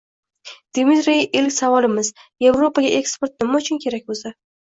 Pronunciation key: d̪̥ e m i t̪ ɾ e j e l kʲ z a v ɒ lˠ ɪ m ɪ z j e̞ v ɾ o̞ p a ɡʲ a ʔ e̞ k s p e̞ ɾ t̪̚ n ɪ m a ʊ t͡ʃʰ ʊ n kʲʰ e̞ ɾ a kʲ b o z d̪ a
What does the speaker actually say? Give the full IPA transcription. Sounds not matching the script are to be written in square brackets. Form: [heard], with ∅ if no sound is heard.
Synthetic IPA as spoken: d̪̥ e m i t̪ ɾ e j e l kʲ [s] a v ɒ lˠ ɪ m ɪ z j e̞ v ɾ o̞ p a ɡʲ a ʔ e̞ k s p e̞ ɾ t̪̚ n ɪ m a ʊ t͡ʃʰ ʊ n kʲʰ e̞ ɾ a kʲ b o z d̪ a